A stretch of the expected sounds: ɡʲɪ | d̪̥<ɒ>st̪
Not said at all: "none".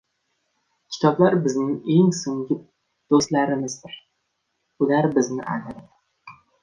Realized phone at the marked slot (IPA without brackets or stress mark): o